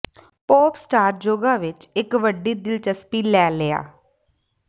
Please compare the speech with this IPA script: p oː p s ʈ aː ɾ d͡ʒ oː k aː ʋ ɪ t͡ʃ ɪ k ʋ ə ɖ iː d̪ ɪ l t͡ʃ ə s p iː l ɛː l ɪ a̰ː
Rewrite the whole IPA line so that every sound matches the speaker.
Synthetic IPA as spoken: p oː p s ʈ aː ɾ d͡ʒ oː ɡ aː ʋ ɪ t͡ʃ ɪ k ʋ ə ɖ iː d̪ ɪ l t͡ʃ ə s p iː l ɛː l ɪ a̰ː